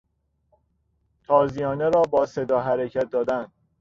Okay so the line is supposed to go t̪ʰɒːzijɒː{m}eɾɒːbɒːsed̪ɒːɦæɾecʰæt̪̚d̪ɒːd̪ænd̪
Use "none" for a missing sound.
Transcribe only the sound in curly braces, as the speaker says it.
n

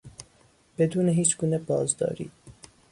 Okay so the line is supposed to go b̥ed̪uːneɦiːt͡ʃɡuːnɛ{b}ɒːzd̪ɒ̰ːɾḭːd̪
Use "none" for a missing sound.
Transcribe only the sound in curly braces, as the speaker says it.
b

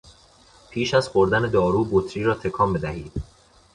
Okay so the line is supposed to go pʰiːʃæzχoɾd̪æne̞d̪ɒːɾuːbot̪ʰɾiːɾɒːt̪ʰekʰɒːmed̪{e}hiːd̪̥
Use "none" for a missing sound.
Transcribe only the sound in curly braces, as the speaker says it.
æ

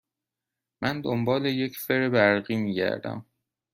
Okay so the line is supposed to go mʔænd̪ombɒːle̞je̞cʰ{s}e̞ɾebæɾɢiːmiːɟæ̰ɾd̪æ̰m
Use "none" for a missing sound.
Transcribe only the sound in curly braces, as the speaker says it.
f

